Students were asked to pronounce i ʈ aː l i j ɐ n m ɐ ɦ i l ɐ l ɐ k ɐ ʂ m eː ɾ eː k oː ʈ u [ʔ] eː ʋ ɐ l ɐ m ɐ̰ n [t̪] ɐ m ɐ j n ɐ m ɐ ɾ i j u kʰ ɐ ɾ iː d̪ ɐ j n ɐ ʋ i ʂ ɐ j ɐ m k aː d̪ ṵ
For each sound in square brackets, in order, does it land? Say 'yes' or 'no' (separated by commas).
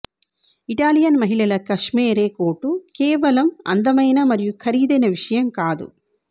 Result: no, no